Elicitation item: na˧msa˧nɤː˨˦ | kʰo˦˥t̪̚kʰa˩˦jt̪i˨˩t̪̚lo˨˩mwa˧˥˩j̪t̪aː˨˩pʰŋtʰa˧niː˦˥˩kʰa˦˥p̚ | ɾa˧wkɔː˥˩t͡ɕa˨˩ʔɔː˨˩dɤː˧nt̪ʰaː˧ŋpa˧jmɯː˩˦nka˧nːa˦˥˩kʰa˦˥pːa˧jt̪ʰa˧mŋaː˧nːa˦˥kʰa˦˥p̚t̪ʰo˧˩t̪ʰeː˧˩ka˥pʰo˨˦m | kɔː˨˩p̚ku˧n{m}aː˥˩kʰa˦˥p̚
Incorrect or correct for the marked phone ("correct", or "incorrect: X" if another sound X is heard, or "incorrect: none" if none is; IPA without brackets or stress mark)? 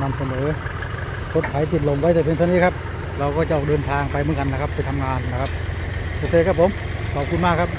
correct